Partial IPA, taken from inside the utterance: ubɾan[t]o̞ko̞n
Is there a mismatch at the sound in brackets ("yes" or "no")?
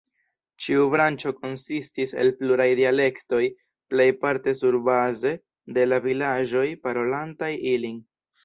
yes